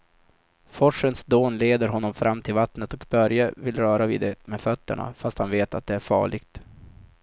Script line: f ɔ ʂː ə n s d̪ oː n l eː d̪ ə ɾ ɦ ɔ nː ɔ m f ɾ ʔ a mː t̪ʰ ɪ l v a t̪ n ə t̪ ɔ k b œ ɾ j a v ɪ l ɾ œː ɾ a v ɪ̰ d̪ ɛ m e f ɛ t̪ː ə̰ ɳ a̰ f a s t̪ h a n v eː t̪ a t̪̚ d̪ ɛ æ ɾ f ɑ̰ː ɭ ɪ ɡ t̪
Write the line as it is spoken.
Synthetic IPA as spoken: f ɔ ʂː ə n s d̪ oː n l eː d̪ ə ɾ ɦ ɔ nː ɔ m f ɾ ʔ a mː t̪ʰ ɪ l v a t̪ n ə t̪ ɔ k b œ ɾ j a v ɪ l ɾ œː ɾ a v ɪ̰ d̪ ɛ m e f œ t̪ː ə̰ ɳ a̰ f a s t̪ h a n v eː t̪ a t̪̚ d̪ ɛ æ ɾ f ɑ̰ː ɭ ɪ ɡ t̪